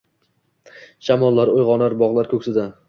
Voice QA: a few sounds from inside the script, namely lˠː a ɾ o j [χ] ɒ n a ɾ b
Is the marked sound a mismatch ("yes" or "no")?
yes